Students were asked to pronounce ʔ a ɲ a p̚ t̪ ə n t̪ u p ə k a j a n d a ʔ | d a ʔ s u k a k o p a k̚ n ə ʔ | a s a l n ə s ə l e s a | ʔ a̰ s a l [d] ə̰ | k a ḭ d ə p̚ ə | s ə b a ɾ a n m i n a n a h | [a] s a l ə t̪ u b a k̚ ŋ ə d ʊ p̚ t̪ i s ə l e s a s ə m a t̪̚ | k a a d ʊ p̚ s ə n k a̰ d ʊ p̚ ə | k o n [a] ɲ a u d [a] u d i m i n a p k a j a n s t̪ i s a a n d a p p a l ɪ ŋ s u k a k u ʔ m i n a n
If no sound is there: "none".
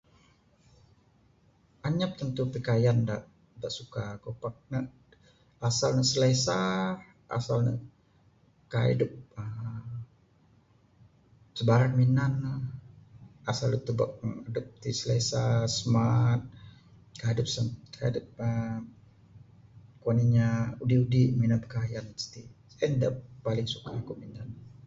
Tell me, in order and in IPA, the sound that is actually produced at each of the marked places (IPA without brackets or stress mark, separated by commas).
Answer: n, a, i, i